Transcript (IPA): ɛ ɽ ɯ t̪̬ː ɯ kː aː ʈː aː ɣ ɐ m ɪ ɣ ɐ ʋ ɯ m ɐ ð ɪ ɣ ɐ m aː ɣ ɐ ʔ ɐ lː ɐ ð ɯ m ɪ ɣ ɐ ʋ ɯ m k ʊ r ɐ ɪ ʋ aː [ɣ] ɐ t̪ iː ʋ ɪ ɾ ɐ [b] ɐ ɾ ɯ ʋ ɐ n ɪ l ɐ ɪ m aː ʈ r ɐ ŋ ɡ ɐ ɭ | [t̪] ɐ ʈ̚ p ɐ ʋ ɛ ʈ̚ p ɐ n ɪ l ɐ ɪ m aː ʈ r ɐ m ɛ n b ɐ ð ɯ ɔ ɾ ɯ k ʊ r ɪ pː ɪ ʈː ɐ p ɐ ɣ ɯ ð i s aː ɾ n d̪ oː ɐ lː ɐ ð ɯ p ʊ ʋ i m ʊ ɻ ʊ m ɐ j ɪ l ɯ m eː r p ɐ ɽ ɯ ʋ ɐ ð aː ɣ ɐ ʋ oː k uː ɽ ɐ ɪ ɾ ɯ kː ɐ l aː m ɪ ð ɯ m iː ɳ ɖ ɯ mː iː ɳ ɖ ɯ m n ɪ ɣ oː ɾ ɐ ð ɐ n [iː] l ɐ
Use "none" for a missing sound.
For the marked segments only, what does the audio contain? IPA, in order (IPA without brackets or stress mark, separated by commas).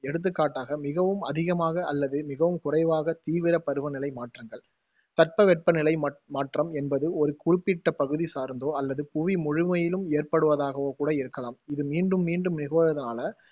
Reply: ɣ, p, t̪, aː